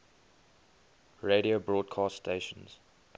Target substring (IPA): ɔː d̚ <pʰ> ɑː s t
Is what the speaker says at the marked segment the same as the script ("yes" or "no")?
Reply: no